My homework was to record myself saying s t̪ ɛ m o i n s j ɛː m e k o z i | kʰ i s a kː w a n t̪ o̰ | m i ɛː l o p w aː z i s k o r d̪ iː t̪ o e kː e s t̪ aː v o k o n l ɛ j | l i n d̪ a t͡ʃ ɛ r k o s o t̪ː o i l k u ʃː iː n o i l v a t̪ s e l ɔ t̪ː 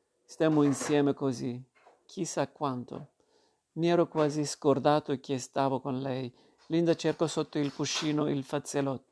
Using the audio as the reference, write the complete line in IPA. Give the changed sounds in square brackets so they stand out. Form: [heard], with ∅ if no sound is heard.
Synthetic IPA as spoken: s t̪ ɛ m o i n s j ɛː m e k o z i | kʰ i s a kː w a n t̪ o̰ | m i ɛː [ɾ] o [k] w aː z i s k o r d̪ [aː] t̪ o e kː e s t̪ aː v o k o n l ɛ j | l i n d̪ a t͡ʃ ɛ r k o s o t̪ː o i l k u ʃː iː n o i l [f] a t̪ s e l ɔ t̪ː